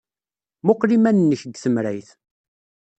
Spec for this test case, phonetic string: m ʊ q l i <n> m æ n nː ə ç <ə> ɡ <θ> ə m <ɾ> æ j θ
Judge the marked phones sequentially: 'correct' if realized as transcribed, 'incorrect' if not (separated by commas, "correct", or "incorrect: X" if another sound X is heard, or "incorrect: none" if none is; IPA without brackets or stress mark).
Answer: incorrect: none, correct, correct, correct